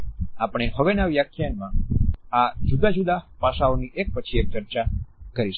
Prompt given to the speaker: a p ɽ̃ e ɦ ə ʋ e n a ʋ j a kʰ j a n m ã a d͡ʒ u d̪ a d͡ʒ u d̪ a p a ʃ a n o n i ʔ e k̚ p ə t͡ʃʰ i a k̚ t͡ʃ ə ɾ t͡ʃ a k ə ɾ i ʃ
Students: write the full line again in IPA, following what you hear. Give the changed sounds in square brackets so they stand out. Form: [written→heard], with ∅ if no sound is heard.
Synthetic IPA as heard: a p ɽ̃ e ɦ ə ʋ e n a ʋ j a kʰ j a n m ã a d͡ʒ u d̪ a d͡ʒ u d̪ a p a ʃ a [n→∅] o n i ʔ e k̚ p ə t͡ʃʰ i [a→e] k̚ t͡ʃ ə ɾ t͡ʃ a k ə ɾ i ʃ